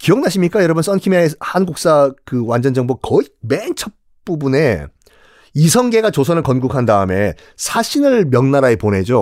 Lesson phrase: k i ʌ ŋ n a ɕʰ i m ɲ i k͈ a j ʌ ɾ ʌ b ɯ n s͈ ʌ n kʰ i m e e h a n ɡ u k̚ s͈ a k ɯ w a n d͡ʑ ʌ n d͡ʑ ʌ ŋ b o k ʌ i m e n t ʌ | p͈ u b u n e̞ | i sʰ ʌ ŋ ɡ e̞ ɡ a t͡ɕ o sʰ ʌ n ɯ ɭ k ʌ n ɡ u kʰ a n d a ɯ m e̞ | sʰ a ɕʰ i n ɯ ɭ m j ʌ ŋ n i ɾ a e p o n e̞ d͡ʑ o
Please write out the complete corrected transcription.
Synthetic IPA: k i ʌ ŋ n a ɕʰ i m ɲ i k͈ a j ʌ ɾ ʌ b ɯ n s͈ ʌ n kʰ i m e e h a n ɡ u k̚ s͈ a k ɯ w a n d͡ʑ ʌ n d͡ʑ ʌ ŋ b o k ʌ i m e n t͡ɕʰ ʌ | p͈ u b u n e̞ | i sʰ ʌ ŋ ɡ e̞ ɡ a t͡ɕ o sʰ ʌ n ɯ ɭ k ʌ n ɡ u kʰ a n d a ɯ m e̞ | sʰ a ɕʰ i n ɯ ɭ m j ʌ ŋ n a ɾ a e p o n e̞ d͡ʑ o